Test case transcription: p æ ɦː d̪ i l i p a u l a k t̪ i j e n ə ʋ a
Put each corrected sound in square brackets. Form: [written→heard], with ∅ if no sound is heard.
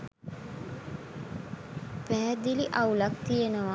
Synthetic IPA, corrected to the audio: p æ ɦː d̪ i l i [p→ʔ] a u l a k t̪ i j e n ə ʋ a